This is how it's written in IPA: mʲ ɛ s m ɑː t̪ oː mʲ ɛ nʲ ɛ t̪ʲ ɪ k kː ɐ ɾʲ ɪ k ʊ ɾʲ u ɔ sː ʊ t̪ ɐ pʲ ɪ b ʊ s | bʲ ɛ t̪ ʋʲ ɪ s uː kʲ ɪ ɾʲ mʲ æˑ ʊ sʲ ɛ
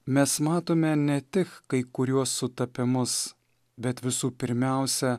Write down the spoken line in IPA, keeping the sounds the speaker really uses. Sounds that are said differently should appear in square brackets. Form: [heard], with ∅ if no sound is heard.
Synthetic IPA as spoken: mʲ ɛ s m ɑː t̪ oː mʲ ɛ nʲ ɛ t̪ʲ ɪ k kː ɐ [∅] ɪ k ʊ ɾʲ u ɔ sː ʊ t̪ ɐ pʲ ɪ [m] ʊ s | bʲ ɛ t̪ ʋʲ ɪ s uː [pʲ] ɪ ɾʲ mʲ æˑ ʊ sʲ ɛ